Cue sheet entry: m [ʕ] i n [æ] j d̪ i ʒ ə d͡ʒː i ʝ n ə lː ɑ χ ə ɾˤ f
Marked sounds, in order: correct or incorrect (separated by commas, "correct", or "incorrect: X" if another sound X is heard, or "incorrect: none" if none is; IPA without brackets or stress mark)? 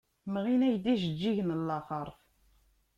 incorrect: ʁ, correct